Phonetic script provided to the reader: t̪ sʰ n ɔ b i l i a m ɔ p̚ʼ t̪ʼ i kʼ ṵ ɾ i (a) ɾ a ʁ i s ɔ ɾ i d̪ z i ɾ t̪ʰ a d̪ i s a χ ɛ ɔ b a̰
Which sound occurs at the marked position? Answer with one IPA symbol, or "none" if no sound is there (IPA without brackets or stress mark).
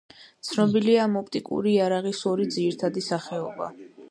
a